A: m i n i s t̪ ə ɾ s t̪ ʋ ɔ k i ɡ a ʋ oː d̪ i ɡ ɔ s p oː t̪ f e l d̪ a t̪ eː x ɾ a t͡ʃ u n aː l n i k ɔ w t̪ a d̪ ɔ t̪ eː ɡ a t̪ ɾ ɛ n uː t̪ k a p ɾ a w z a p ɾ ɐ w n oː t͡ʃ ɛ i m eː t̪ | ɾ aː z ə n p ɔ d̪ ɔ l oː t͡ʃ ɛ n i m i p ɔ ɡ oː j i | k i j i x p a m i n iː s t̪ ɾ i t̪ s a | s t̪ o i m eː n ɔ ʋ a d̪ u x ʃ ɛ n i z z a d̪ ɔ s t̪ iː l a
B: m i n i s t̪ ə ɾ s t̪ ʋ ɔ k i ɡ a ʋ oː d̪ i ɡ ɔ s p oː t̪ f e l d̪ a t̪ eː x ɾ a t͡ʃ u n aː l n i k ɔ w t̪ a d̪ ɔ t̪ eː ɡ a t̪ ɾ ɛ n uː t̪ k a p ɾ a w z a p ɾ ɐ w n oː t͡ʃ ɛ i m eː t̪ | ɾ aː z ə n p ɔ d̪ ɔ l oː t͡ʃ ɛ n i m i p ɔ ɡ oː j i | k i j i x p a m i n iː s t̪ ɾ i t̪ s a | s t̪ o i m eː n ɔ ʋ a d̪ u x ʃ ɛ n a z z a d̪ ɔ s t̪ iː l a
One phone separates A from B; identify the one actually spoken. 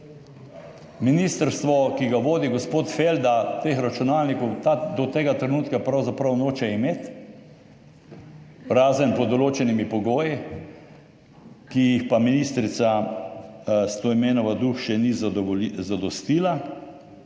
A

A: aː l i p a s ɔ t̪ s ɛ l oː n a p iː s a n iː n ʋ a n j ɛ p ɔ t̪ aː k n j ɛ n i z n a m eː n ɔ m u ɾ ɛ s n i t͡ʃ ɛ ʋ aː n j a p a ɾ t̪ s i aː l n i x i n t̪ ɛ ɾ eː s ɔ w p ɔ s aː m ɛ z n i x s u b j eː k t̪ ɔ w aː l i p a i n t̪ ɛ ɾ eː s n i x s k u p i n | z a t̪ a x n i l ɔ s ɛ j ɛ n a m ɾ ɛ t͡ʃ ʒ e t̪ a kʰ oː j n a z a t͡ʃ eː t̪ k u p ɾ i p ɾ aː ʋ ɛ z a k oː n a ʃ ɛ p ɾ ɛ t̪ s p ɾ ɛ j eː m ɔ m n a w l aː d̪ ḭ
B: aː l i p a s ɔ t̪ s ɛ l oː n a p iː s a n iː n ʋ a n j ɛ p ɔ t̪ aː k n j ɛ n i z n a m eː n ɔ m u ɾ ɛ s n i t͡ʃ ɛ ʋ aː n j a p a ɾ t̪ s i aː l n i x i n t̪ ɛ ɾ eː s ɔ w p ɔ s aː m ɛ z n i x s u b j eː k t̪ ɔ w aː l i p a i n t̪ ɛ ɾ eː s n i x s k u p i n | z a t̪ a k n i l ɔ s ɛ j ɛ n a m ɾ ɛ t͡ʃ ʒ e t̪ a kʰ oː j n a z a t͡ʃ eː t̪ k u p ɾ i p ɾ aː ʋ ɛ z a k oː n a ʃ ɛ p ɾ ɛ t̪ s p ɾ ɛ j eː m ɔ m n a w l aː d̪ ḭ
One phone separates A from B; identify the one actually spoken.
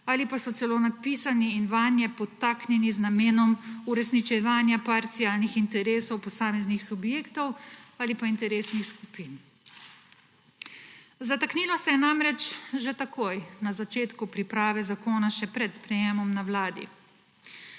B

